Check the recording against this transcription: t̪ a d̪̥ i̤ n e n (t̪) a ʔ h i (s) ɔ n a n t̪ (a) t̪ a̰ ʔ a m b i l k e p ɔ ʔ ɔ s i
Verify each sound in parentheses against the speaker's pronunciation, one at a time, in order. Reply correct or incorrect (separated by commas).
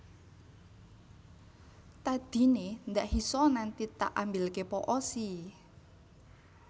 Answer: incorrect, correct, incorrect